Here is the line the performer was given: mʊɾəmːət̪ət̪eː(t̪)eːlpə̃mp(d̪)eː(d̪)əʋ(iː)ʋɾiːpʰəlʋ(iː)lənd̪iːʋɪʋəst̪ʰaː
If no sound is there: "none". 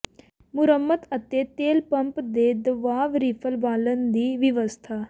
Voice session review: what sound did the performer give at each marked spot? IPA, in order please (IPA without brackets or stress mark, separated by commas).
t̪, d̪, d̪, aː, aː